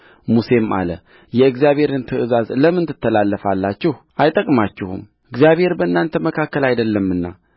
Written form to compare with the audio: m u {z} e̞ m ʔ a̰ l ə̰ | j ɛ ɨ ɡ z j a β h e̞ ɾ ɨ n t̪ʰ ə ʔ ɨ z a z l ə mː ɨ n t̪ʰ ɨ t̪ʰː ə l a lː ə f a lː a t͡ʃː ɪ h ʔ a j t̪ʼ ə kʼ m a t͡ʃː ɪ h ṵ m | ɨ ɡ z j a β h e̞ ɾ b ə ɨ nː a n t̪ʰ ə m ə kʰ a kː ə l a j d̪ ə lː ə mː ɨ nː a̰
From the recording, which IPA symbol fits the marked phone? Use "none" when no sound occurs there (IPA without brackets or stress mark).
s